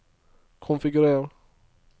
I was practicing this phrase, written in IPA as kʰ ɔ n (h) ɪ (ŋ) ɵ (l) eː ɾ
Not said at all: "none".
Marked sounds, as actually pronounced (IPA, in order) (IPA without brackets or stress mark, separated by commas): f, ɡ, ɾ